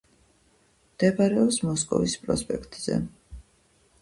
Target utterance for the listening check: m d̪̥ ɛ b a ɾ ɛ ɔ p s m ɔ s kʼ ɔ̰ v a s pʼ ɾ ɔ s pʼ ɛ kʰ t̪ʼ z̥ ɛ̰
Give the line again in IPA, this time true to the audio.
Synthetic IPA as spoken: m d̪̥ ɛ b a ɾ ɛ ɔ p s m ɔ s kʼ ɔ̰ v i s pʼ ɾ ɔ s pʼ ɛ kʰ t̪ʼ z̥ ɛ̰